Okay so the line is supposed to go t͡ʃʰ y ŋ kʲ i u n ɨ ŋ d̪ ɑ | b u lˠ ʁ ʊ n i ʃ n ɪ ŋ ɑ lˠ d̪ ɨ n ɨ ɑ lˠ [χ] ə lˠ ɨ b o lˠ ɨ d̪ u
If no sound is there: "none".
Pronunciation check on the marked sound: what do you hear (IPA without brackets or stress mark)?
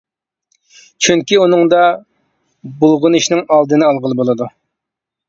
ʁ